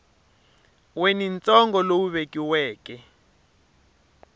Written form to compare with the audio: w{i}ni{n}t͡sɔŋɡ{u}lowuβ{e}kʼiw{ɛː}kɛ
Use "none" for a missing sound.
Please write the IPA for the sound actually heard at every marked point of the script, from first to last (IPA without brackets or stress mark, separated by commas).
e, n, ɔ, e, ɛː